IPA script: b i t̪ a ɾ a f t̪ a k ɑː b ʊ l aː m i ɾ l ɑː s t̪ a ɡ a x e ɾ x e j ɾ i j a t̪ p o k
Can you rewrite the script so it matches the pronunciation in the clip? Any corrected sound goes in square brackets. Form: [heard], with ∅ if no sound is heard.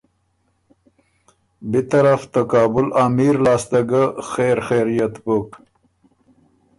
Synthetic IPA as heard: b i t̪ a ɾ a f t̪ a k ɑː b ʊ l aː m i ɾ l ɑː s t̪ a ɡ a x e ɾ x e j ɾ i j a t̪ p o k